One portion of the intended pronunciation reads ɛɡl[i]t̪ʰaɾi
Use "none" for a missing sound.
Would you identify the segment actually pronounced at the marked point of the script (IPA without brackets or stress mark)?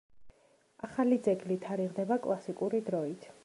i